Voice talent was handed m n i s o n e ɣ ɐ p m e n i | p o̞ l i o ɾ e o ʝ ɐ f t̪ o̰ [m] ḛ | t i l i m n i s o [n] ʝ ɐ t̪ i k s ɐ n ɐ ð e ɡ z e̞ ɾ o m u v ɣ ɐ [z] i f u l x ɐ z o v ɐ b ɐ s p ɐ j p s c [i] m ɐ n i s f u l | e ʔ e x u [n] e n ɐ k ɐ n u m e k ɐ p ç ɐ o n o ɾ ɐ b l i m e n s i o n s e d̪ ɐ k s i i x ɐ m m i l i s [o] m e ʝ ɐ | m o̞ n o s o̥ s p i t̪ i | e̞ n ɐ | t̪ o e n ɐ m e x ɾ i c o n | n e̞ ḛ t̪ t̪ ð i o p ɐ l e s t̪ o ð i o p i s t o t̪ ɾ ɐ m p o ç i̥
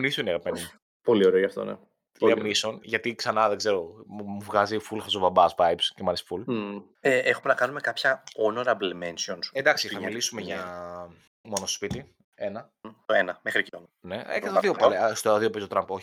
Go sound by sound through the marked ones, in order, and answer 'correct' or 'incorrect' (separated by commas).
incorrect, correct, correct, incorrect, incorrect, incorrect